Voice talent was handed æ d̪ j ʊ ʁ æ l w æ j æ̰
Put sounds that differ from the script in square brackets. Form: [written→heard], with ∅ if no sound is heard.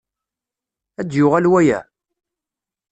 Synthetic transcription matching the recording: æ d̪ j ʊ ʁ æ l w æ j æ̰